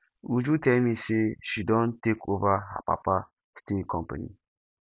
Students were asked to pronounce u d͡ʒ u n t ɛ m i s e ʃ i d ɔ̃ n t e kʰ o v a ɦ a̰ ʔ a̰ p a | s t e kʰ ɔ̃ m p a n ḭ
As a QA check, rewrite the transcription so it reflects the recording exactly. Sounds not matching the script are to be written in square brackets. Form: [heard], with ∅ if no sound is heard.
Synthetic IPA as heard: u d͡ʒ u [∅] t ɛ m i s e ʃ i d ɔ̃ n t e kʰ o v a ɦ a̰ [p] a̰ p a | s t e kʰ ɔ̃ m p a n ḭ